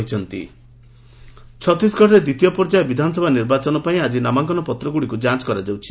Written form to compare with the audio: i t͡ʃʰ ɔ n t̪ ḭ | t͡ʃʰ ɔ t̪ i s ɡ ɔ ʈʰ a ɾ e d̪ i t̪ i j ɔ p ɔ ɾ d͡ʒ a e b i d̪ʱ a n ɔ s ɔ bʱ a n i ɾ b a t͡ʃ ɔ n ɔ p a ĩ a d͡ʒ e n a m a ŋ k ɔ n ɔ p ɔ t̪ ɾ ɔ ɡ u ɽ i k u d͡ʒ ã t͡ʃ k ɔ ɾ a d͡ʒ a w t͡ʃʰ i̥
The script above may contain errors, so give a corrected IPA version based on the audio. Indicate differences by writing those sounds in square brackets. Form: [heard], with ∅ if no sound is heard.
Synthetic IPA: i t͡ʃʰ ɔ n t̪ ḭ | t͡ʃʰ ɔ t̪ i s ɡ ɔ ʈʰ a ɾ e d̪ i t̪ i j ɔ p ɔ ɾ d͡ʒ a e b i d̪ʱ a n ɔ s ɔ bʱ a n i ɾ b a t͡ʃ ɔ n ɔ p a ĩ a d͡ʒ [i] n a m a ŋ k ɔ n ɔ p ɔ t̪ ɾ ɔ ɡ u ɽ i k u d͡ʒ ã t͡ʃ k ɔ ɾ a d͡ʒ a w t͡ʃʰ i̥